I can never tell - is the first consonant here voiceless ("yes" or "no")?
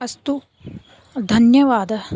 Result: yes